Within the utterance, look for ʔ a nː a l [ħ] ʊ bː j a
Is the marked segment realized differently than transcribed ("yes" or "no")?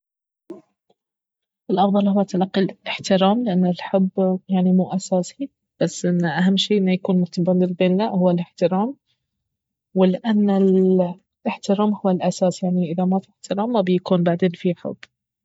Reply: no